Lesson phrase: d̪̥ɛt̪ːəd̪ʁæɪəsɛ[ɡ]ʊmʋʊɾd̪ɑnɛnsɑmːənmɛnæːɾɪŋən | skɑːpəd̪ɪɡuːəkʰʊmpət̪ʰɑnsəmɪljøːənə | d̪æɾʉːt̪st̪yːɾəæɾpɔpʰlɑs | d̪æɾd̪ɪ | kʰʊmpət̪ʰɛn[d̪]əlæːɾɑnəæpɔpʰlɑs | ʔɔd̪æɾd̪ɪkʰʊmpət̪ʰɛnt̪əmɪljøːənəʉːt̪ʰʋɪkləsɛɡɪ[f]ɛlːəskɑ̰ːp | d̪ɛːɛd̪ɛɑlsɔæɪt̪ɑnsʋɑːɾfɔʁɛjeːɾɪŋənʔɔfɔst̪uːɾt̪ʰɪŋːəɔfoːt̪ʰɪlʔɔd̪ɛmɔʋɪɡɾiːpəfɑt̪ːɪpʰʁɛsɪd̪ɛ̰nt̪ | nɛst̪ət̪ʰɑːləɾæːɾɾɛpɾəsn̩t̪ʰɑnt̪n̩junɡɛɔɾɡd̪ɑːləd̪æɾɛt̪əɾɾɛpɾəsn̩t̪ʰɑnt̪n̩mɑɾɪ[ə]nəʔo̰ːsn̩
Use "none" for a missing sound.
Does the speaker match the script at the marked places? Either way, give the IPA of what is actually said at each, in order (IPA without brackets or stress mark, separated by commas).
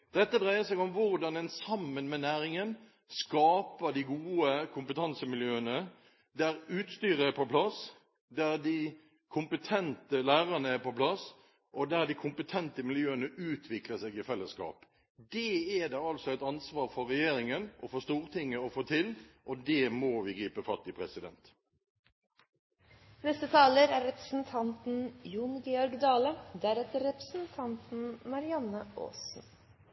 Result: ɡ, t̪, f, ɑ